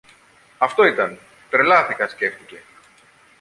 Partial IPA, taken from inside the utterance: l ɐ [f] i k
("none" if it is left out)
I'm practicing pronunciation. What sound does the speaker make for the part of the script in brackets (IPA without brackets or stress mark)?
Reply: θ